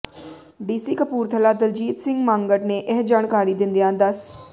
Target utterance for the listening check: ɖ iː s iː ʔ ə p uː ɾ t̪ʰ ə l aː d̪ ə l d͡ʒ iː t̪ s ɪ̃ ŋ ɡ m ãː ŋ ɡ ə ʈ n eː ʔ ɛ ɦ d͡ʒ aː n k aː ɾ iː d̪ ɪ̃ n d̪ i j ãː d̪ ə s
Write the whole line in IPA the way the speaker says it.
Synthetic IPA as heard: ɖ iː s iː k ə p uː ɾ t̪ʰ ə l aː d̪ ə l d͡ʒ iː t̪ s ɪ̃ ŋ ɡ m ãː ŋ ɡ ə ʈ n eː ʔ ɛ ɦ d͡ʒ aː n k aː ɾ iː d̪ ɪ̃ n d̪ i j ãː d̪ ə s